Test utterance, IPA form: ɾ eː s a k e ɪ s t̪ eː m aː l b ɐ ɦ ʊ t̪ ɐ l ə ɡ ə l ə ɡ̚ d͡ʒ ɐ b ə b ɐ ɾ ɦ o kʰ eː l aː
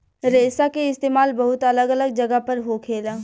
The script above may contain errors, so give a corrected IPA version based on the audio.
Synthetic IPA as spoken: ɾ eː s a k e ɪ s t̪ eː m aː l b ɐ ɦ ʊ t̪ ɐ l ə ɡ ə l ə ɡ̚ d͡ʒ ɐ ɡ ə p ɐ ɾ ɦ o kʰ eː l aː